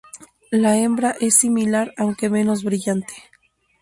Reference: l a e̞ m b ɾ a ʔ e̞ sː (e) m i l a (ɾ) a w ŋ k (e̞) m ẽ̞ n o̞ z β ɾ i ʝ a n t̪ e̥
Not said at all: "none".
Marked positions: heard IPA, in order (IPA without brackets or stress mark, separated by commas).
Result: i, ɾ, e̞